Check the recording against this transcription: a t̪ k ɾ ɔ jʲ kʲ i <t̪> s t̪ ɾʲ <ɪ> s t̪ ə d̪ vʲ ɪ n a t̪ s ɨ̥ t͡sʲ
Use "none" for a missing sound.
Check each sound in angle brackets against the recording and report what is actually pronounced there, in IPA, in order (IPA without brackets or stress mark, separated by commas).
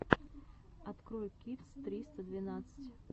t̪, i